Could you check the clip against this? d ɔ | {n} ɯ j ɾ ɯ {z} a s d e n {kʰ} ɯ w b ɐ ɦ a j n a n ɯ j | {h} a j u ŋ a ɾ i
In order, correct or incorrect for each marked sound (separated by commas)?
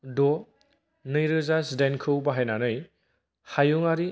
correct, correct, correct, correct